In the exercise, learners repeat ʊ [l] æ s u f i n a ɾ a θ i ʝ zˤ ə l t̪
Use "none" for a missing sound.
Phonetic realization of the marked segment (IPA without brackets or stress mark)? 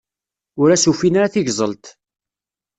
ɾ